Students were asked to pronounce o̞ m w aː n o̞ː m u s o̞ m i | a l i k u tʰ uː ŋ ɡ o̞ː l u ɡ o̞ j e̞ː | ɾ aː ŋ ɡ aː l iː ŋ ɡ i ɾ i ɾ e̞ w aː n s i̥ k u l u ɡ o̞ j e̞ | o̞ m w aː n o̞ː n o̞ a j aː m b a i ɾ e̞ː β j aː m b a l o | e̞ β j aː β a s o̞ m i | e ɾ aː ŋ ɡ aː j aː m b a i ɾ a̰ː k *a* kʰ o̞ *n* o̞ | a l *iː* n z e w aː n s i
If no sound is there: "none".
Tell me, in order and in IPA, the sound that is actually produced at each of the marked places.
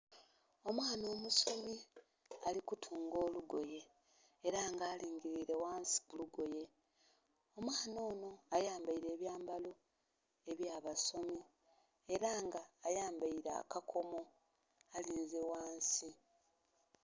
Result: a, m, iː

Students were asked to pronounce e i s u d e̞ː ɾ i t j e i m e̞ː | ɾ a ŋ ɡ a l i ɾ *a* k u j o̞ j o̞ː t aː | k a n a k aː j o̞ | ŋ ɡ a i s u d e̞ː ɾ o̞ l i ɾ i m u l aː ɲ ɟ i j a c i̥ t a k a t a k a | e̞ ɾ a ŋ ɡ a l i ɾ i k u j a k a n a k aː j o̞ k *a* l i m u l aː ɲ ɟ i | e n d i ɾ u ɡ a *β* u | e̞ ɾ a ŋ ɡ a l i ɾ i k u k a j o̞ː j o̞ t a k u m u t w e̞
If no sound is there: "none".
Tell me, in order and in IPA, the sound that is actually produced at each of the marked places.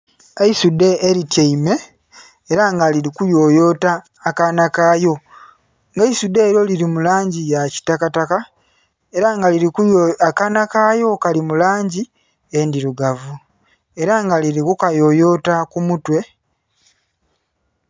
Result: i, a, v

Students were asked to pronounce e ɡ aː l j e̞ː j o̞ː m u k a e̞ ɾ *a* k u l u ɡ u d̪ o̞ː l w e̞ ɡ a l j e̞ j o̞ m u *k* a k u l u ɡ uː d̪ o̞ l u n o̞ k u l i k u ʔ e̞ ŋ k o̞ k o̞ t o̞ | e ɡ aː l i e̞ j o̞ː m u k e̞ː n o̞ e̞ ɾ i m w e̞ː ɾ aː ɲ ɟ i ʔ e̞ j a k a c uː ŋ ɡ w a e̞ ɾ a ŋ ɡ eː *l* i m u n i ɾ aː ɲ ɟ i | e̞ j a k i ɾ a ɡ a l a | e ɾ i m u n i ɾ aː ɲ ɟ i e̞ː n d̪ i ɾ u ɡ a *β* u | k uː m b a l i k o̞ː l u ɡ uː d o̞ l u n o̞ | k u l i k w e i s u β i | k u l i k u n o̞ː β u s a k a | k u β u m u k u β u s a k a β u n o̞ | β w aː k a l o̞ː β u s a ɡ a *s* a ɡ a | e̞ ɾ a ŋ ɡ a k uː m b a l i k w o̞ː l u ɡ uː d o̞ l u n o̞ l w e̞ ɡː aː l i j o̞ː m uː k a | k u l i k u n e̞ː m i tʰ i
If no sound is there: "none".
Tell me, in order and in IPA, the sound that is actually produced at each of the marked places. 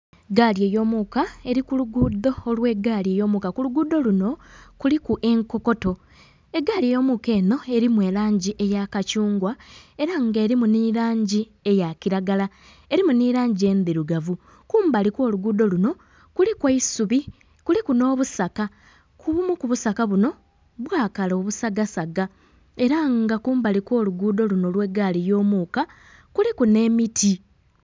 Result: i, k, ɾ, v, s

